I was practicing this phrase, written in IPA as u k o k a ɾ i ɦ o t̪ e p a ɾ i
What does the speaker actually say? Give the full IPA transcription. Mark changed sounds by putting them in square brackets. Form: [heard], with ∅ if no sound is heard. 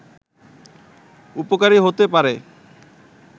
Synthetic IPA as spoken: u [p] o k a ɾ i ɦ o t̪ e p a ɾ [e]

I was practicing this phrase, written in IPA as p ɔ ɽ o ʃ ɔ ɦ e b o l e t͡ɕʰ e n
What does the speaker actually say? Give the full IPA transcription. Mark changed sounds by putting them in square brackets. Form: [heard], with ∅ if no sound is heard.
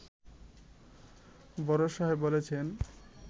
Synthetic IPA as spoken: [b] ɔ [ɾ] o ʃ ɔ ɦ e b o l e t͡ɕʰ e n

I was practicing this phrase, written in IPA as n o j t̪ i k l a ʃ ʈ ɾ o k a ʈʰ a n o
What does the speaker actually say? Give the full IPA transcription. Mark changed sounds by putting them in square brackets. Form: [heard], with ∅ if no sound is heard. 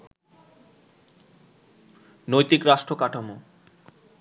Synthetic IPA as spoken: n o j t̪ i k [ɾ] a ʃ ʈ ɾ o k a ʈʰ a [m] o

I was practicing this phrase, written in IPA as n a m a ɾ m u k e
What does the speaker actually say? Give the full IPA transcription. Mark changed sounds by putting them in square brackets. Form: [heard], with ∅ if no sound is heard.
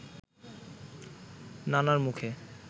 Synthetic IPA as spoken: n a [n] a ɾ m u [kʰ] e

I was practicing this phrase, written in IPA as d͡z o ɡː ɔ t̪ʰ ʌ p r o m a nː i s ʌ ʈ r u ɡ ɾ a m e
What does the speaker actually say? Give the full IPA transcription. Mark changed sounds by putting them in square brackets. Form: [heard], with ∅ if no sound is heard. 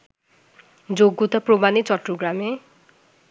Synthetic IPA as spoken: d͡z o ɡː [u] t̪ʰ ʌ p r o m a [n] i [t͡s] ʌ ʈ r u ɡ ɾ a m e

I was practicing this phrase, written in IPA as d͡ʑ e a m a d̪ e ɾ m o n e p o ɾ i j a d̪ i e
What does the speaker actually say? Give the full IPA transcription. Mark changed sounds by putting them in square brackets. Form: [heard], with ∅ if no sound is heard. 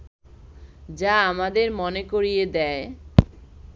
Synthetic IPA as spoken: d͡ʑ [a] a m a d̪ e ɾ m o n e [k] o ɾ i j [e] d̪ [ɛ] e

